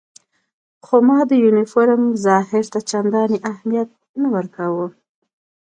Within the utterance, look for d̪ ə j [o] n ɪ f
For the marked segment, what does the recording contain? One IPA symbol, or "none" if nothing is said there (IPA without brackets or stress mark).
u